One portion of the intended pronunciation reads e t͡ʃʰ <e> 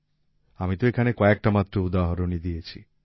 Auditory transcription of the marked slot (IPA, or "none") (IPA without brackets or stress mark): i